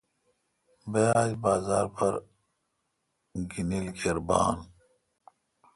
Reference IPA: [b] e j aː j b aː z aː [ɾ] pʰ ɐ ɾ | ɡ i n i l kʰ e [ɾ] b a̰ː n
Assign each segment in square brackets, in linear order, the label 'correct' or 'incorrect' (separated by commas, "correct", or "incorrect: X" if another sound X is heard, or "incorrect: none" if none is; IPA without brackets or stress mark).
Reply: correct, correct, correct